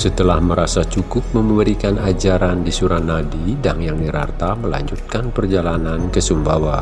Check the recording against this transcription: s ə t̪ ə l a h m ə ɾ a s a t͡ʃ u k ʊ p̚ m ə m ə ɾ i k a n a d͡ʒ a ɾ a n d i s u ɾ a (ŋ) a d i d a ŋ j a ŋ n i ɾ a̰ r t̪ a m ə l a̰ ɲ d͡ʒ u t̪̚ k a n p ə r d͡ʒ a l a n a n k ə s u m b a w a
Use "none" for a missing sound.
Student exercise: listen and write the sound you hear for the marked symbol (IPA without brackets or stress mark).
n